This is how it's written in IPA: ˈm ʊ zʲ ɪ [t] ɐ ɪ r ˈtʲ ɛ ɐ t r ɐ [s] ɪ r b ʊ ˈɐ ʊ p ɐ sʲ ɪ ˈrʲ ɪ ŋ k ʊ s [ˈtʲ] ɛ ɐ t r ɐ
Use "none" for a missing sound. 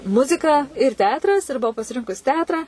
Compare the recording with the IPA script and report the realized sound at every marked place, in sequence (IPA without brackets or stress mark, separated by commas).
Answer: k, s, tʲ